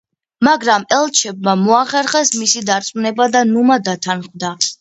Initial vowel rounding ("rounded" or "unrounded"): unrounded